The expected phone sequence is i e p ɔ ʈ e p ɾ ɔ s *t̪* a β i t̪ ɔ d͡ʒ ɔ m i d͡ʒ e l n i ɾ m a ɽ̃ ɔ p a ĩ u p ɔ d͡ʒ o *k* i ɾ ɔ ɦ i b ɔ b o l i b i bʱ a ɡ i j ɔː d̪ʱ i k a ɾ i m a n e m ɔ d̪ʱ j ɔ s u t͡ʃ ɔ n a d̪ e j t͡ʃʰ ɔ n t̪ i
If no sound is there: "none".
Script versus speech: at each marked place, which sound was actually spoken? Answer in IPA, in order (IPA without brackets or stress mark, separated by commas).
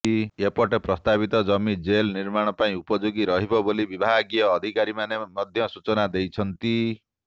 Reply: t̪, ɡ